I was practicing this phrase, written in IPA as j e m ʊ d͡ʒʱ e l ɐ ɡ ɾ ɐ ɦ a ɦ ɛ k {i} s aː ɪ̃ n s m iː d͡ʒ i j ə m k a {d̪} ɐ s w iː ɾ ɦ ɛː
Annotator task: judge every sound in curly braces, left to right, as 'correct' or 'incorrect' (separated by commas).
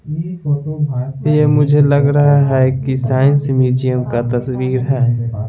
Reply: correct, incorrect